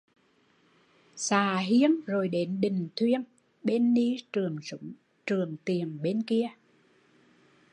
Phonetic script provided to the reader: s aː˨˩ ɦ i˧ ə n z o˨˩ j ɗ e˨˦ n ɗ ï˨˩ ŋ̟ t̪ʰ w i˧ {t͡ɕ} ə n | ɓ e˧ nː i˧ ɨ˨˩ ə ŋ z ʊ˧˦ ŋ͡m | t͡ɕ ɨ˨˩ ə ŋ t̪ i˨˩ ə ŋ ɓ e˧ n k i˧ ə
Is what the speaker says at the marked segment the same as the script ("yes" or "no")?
no